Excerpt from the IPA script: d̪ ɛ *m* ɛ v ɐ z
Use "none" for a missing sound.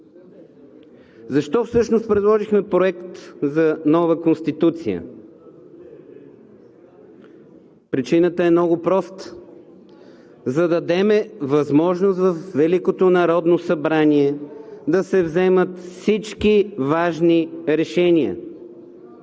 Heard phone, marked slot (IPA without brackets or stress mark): m